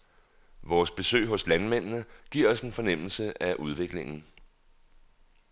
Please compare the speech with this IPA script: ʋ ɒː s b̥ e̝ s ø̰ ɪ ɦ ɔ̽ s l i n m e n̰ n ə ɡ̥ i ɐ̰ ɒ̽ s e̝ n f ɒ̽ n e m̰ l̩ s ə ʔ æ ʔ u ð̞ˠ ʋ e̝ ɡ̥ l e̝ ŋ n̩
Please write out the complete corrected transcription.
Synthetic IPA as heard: ʋ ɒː s b̥ e̝ s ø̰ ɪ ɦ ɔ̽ s l æ n m e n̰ n ə ɡ̥ i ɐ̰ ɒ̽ s e̝ n f ɒ̽ n e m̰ l̩ s ə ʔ æ ʔ u ð̞ˠ ʋ e̝ ɡ̥ l e̝ ŋ n̩